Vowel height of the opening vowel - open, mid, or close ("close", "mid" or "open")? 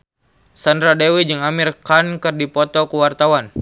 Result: open